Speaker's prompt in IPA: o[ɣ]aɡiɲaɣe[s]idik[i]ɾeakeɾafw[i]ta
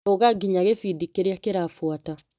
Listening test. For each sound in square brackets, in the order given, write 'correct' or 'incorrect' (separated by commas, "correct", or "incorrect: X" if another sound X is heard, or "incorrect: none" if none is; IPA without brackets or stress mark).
correct, incorrect: f, incorrect: e, incorrect: a